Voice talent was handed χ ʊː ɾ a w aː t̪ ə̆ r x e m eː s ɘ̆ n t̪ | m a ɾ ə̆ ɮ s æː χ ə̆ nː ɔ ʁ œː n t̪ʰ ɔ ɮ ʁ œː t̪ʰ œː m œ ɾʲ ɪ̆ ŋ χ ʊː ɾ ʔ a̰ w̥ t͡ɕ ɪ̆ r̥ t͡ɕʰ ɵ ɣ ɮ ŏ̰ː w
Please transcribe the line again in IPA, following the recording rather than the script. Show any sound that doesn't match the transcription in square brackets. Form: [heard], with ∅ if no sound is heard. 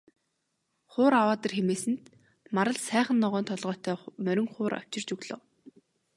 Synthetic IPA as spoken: χ ʊː ɾ a w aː t̪ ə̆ r x e m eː s ɘ̆ n t̪ | m a ɾ ə̆ ɮ s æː χ ə̆ nː ɔ ʁ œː n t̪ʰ ɔ ɮ ʁ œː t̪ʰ œː m œ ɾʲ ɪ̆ ŋ χ ʊː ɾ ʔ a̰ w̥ t͡ɕ ɪ̆ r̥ [t͡ɕ] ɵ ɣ ɮ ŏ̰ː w

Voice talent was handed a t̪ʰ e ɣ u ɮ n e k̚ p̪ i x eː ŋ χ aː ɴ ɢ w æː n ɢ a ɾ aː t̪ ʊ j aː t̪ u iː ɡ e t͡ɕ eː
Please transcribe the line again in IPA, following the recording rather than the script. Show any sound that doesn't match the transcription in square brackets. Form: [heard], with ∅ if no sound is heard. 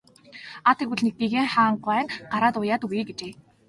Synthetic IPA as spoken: a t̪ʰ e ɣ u ɮ n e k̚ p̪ i [ɣ] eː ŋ χ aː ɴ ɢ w æː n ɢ a ɾ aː t̪ ʊ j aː t̪ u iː ɡ e t͡ɕ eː

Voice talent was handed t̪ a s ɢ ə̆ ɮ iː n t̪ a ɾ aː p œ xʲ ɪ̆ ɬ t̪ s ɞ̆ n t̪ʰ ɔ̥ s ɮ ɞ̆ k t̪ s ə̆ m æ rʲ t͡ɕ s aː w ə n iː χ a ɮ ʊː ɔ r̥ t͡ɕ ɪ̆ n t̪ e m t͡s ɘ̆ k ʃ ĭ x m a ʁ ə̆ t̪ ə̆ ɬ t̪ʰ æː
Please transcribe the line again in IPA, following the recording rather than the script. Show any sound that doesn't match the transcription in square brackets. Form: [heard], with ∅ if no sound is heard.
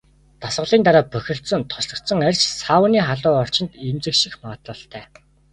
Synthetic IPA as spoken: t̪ a s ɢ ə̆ ɮ iː n t̪ a ɾ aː p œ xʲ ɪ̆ ɬ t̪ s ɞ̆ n t̪ʰ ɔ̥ s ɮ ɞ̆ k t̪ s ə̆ [ŋ] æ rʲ t͡ɕ s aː w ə n iː χ a ɮ ʊː ɔ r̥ t͡ɕ ɪ̆ n t̪ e m t͡s ɘ̆ k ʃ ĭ x m a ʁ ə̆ t̪ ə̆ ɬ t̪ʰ æː

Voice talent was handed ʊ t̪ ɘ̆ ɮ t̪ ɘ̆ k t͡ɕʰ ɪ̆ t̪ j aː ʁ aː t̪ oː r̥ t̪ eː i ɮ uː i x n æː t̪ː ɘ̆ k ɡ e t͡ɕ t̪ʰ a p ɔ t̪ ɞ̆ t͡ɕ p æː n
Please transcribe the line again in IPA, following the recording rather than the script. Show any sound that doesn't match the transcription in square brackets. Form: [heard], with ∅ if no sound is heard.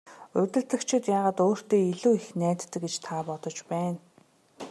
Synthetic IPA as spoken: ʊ t̪ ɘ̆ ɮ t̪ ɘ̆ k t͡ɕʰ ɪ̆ t̪ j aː ʁ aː t̪ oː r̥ t̪ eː i ɮ uː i x n æː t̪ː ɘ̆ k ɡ e t͡ɕ t̪ʰ a p ɔ t̪ ɞ̆ t͡ɕ p æː n

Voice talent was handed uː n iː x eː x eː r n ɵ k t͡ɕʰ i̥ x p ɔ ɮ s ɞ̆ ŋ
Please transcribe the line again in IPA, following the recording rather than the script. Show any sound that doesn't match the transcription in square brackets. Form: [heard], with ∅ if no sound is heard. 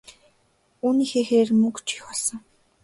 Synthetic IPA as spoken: uː n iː x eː x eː r [m] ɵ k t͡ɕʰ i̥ x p ɔ ɮ s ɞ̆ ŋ

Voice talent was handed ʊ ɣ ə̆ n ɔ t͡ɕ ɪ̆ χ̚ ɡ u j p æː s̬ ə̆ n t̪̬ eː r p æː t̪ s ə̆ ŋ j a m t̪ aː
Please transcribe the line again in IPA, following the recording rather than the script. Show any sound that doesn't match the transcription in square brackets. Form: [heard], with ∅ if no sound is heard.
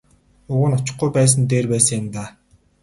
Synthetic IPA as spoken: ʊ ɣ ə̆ n ɔ t͡ɕ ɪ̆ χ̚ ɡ u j p æː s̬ ə̆ n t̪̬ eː r p æː [∅] s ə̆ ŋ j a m t̪ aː

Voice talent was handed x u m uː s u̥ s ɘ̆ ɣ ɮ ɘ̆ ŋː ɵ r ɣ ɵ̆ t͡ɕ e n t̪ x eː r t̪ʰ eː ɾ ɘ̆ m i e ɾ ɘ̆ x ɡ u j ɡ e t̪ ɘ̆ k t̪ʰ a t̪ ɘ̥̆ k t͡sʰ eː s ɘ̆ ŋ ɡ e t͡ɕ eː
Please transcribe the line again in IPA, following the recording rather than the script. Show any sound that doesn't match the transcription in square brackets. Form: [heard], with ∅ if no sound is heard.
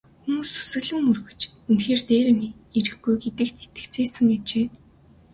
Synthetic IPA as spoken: x u m uː s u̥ s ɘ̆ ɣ ɮ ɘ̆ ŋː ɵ r ɣ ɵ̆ t͡ɕ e n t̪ x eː r [t̪] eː ɾ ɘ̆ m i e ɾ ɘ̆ x ɡ u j ɡ e t̪ ɘ̆ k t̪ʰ [e] t̪ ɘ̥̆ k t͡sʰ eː s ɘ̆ ŋ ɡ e t͡ɕ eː

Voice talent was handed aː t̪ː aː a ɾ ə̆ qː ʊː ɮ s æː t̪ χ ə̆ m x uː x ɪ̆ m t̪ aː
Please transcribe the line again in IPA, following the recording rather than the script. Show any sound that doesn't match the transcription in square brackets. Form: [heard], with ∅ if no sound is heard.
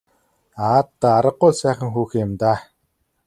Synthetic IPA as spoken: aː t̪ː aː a ɾ ə̆ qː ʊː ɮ s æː [∅] χ ə̆ [ŋ] x uː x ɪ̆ m t̪ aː

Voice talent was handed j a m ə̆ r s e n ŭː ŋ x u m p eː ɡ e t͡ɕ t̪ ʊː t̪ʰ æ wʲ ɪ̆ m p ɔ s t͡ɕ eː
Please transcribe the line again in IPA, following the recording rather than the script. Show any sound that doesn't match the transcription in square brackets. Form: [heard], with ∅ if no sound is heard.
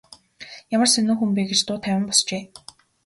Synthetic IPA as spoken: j a m ə̆ r s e n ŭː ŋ x u m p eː ɡ e t͡ɕ t̪ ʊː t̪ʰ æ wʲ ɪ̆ m p ɔ s t͡ɕ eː

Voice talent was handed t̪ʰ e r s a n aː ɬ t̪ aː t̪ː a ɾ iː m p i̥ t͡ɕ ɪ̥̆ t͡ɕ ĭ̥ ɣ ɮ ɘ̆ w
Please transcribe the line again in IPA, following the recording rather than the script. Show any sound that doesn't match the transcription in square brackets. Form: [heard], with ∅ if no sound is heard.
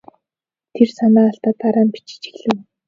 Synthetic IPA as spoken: t̪ʰ e r s a n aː ɬ t̪ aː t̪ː a ɾ [aː] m p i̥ t͡ɕ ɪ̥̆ t͡ɕ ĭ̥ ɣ ɮ ɘ̆ w

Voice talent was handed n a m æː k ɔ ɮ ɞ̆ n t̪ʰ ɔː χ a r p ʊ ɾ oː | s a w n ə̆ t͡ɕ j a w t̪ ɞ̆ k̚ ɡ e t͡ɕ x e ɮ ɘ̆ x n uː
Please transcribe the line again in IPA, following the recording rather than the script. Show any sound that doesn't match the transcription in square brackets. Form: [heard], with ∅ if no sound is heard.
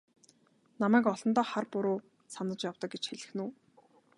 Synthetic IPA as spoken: n a m æː k ɔ ɮ ɞ̆ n [t̪] ɔː χ a r p ʊ ɾ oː | s a [∅] n ə̆ t͡ɕ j a w t̪ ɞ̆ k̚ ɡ e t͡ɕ x e ɮ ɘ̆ x n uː

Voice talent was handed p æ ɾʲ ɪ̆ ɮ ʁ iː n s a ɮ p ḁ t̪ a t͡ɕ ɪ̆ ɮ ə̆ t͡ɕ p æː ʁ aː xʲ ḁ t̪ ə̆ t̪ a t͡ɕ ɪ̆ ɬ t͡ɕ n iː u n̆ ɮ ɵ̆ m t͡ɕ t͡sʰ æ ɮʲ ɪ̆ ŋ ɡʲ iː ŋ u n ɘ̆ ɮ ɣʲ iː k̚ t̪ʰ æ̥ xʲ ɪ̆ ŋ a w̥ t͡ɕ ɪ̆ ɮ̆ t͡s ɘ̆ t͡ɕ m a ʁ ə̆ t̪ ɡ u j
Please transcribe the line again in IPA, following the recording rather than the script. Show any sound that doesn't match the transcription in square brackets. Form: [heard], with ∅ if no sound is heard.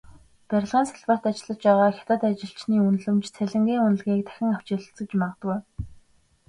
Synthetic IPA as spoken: p æ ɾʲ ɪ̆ ɮ ʁ iː n s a ɮ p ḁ t̪ a t͡ɕ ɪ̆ ɮ ə̆ t͡ɕ p æː ʁ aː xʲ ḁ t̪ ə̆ t̪ a t͡ɕ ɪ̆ ɬ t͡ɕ n iː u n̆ ɮ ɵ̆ m t͡ɕ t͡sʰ æ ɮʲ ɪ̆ ŋ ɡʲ iː ŋ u n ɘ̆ ɮ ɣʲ iː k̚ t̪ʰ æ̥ xʲ ɪ̆ ŋ a w̥ t͡ɕ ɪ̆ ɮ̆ t͡s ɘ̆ t͡ɕ m a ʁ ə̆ t̪ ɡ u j

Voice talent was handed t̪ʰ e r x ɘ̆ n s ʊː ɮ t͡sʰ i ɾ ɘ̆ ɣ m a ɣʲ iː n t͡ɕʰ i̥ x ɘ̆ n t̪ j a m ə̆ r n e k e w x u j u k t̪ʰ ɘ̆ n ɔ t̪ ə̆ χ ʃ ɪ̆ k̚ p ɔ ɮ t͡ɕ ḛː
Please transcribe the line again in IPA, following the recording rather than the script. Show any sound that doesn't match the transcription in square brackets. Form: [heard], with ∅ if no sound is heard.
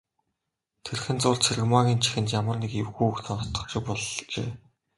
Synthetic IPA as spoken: t̪ʰ e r x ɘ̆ n [t͡s] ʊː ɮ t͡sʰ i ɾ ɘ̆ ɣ m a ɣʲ iː n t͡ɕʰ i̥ x ɘ̆ n t̪ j a m ə̆ r n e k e w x u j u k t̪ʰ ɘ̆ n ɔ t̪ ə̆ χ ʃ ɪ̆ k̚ p ɔ ɮ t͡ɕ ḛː

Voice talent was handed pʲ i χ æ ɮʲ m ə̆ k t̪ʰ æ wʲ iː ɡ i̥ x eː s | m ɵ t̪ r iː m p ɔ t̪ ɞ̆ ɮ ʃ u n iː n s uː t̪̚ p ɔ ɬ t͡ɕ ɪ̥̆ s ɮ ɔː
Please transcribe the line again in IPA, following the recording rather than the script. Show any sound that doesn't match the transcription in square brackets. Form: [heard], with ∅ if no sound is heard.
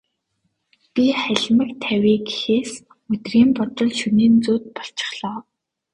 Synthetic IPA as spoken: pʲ i χ æ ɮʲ m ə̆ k t̪ʰ æ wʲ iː ɡ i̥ x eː s | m ɵ t̪ r iː m p ɔ t̪ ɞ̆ ɮ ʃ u n iː n [t͡s] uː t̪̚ p ɔ ɬ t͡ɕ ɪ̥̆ [χ] ɮ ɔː

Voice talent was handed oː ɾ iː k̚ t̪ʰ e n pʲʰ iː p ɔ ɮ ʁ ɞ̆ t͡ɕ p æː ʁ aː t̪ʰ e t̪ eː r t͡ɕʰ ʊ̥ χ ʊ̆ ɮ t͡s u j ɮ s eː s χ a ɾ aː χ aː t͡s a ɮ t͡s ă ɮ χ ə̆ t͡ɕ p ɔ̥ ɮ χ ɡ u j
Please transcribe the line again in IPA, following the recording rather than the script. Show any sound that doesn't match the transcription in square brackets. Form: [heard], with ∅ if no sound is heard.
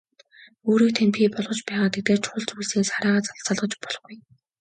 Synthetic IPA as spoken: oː ɾ iː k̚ t̪ʰ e n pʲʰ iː p ɔ ɮ ʁ ɞ̆ t͡ɕ p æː ʁ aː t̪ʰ e t̪ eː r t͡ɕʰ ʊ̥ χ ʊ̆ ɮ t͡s u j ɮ s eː s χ a ɾ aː [ʁ] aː t͡s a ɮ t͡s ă ɮ [ʁ] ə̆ t͡ɕ p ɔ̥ ɮ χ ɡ u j

